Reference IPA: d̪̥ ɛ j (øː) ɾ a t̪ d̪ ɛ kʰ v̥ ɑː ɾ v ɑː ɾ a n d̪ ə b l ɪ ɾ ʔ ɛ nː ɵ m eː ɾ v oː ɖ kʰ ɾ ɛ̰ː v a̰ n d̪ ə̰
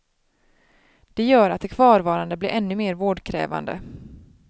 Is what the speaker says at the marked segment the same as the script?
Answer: no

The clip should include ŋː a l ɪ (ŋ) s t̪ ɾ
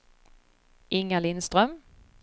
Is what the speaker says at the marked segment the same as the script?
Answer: no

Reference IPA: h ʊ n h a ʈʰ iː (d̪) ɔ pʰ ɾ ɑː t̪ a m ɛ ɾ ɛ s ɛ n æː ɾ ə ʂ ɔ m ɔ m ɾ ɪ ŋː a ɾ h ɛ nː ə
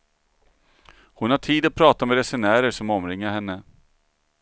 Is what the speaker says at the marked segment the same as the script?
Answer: yes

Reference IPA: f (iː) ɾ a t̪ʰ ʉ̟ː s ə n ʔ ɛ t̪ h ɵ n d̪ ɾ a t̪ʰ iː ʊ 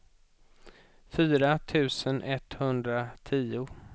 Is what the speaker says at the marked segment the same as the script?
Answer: no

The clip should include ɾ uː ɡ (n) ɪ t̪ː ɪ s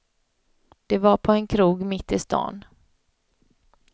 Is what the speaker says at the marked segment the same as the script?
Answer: no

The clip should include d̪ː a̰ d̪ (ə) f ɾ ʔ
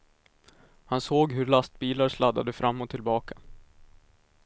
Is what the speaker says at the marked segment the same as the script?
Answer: yes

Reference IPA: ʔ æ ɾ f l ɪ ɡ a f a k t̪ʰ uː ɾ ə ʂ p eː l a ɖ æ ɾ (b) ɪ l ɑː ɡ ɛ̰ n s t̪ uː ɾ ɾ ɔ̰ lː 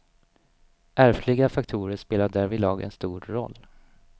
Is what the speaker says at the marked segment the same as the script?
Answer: no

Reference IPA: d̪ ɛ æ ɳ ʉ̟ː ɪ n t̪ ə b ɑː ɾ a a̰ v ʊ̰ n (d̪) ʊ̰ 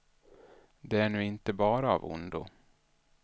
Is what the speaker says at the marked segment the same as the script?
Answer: yes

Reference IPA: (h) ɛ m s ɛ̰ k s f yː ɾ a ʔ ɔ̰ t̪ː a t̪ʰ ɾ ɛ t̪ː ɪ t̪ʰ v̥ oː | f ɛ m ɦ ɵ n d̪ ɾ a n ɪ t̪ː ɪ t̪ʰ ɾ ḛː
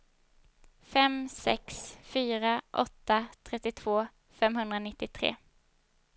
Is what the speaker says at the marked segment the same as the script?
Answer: no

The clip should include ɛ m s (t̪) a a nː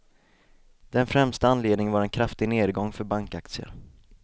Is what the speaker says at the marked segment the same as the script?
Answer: yes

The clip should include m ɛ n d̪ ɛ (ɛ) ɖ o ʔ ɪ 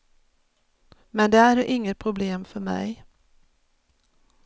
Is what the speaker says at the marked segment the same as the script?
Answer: no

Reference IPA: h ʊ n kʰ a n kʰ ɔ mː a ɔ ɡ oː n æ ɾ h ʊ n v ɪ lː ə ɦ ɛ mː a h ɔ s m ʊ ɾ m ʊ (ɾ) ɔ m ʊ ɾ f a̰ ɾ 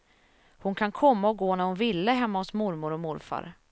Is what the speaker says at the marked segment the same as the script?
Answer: yes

